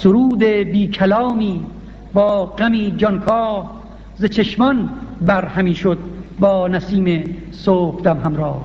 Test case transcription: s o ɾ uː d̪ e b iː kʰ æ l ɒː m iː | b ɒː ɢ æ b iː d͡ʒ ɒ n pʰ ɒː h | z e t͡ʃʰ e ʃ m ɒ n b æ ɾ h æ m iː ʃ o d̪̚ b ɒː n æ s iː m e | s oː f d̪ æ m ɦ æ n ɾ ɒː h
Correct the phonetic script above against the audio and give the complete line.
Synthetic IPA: s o ɾ uː d̪ e b iː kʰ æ l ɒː m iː | b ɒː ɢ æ m iː d͡ʒ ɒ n kʰ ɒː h | z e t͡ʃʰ e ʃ m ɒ n b æ ɾ h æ m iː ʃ o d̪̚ b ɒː n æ s iː m e | s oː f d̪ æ m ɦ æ m ɾ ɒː h